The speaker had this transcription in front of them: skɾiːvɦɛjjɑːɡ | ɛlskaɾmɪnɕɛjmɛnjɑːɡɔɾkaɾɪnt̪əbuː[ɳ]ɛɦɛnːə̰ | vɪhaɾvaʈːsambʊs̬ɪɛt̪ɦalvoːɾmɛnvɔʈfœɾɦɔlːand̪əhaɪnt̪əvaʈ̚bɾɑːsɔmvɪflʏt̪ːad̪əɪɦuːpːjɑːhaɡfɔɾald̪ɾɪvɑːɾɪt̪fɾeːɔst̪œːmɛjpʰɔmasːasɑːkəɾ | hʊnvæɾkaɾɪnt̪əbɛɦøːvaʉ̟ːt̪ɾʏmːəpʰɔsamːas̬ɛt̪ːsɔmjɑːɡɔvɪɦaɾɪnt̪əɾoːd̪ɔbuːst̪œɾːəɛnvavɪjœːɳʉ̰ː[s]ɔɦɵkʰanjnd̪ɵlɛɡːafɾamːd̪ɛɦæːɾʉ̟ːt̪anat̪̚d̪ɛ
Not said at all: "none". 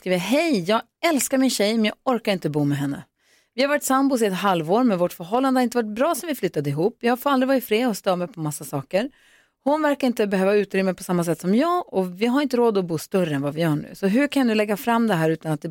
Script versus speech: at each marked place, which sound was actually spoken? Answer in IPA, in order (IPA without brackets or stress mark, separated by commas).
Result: m, s